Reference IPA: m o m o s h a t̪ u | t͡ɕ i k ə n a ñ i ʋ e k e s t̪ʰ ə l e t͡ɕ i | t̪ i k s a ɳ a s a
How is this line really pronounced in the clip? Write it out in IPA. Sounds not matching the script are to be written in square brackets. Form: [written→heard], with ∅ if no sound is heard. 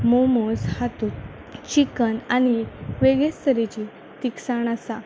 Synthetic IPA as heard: m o m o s h a t̪ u | t͡ɕ i k ə n a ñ i ʋ e [k→ɡ] e s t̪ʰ ə [l→ɾ] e t͡ɕ i | t̪ i k s a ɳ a s a

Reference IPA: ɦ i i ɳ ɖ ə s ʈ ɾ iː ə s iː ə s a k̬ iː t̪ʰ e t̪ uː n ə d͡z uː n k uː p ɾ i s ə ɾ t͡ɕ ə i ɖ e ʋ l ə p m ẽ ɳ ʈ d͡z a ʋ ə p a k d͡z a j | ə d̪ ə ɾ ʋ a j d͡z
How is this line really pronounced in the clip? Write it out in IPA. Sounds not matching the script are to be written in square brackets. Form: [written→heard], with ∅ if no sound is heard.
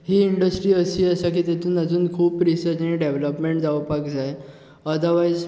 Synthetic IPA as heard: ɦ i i ɳ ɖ ə s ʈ ɾ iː ə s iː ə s a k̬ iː [t̪ʰ→t̪] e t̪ uː n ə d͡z uː n [k→kʰ] uː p ɾ i s ə ɾ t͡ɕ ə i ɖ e ʋ l ə p m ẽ ɳ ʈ d͡z a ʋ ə p a k d͡z a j | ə d̪ ə ɾ ʋ a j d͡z

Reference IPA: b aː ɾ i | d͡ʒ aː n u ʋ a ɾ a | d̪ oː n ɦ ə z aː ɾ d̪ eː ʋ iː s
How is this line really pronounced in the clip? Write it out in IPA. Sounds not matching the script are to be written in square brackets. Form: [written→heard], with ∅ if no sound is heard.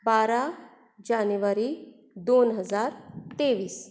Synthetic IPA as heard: b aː ɾ [i→a] | d͡ʒ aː n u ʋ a ɾ [a→i] | d̪ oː n ɦ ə z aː ɾ [d̪→t̪] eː ʋ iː s

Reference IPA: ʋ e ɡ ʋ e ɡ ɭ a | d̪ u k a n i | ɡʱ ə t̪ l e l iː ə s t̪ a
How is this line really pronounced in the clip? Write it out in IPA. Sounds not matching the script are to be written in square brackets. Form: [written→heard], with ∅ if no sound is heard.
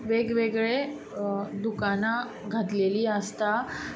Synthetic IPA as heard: ʋ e ɡ ʋ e ɡ ɭ [a→e] | d̪ u k a n [i→a] | ɡʱ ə t̪ l e l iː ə s t̪ a

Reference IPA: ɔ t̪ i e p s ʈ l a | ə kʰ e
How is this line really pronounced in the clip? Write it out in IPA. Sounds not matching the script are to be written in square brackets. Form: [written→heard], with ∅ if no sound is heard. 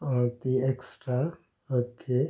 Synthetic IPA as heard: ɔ t̪ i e [p→k] s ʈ [l→ɾ] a | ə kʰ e

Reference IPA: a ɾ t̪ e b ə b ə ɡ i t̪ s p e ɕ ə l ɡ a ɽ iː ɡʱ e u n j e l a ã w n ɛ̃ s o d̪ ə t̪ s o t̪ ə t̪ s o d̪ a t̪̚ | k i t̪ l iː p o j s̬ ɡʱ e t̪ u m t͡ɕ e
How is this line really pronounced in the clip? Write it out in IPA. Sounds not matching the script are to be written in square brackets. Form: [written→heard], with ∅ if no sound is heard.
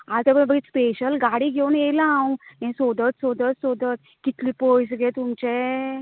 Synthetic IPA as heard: a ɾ t̪ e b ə b ə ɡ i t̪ s p e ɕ ə l ɡ a ɽ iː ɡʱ e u n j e l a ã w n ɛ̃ s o d̪ ə t̪ s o [t̪→d̪] ə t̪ s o d̪ [a→ə] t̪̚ | k i t̪ l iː p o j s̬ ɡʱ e t̪ u m t͡ɕ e

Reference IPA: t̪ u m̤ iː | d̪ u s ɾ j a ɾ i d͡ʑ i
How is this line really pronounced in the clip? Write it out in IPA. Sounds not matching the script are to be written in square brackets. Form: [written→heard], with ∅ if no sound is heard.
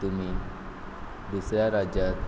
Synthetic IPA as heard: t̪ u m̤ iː | d̪ u s ɾ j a ɾ [i→a] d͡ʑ [i→a]

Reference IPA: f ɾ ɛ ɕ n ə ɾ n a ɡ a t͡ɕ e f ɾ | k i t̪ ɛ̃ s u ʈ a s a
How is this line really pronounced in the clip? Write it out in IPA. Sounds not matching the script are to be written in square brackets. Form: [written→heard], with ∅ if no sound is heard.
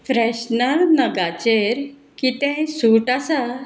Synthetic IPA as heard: f ɾ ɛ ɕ n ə ɾ n [a→ə] ɡ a t͡ɕ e [f→∅] ɾ | k i t̪ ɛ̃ s u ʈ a s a

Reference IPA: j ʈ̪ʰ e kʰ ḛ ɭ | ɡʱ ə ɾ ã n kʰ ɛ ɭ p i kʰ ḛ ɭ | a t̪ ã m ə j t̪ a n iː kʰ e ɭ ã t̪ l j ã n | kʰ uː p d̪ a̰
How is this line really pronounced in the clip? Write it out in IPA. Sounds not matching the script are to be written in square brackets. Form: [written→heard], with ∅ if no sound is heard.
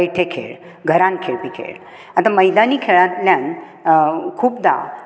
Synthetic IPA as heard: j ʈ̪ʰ e kʰ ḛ ɭ | ɡʱ ə ɾ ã n kʰ [ɛ→e] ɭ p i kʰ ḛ ɭ | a t̪ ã m ə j [t̪→d̪] a n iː kʰ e ɭ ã t̪ l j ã n | kʰ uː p d̪ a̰

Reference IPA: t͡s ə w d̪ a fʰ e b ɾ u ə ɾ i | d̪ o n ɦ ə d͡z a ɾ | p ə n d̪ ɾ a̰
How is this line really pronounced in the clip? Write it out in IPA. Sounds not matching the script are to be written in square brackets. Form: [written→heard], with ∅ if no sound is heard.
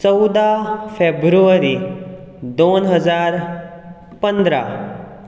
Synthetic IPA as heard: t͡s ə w d̪ a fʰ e b ɾ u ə ɾ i | d̪ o n ɦ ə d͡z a ɾ | p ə n d̪ ɾ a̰

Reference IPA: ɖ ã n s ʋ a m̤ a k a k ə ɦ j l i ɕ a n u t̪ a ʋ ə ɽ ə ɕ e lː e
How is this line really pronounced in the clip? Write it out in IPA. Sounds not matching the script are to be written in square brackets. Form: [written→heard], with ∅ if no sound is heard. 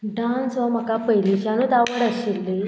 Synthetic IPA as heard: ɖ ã n s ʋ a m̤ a k a [k→p] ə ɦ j l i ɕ a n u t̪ a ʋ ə ɽ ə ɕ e lː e

